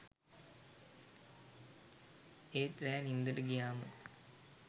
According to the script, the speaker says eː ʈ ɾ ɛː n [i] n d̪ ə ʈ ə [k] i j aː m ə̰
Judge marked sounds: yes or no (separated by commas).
yes, no